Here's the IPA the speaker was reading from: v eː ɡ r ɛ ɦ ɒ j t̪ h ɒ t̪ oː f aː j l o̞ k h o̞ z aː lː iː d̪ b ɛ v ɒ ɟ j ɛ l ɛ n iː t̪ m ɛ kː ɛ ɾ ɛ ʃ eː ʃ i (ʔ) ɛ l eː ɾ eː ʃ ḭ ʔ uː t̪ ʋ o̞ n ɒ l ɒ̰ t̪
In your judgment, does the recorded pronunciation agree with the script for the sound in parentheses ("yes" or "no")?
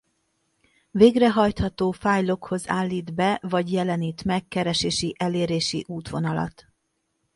yes